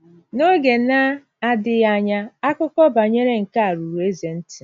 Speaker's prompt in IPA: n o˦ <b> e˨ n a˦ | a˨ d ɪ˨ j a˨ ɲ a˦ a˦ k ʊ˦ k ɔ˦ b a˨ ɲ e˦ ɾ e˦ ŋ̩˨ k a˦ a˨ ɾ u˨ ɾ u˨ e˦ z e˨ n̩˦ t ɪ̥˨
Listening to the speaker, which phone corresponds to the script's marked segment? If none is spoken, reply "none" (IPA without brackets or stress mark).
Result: ɡ